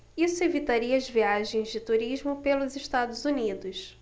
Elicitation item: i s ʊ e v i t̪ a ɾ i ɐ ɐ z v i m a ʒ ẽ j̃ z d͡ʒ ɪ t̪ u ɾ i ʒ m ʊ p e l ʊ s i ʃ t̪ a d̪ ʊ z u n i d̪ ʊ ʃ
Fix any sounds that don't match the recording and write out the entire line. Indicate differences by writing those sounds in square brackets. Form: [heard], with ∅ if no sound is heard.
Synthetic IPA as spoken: i s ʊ e v i t̪ a ɾ i ɐ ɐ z v i [∅] a ʒ ẽ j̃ z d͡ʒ ɪ t̪ u ɾ i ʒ m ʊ p e l ʊ [z] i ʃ t̪ a d̪ ʊ z u n i d̪ ʊ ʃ